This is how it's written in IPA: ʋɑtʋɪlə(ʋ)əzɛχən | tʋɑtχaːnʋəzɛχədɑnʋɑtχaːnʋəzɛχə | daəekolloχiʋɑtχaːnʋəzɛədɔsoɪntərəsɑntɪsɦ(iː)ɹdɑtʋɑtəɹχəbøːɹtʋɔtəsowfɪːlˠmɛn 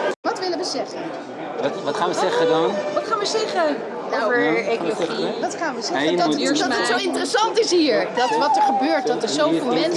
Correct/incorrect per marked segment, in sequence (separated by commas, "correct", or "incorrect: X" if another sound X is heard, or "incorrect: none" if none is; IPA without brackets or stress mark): correct, correct